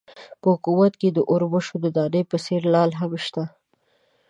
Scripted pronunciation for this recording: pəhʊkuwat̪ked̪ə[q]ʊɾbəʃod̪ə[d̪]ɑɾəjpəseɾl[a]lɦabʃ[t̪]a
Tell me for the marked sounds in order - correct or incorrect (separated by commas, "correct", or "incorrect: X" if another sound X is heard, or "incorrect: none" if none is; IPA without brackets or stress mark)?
incorrect: ʔ, correct, incorrect: ɑ, correct